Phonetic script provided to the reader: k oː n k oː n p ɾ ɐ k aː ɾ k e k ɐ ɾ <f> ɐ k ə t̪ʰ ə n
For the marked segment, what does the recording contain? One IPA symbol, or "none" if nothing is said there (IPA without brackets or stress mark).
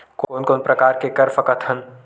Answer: f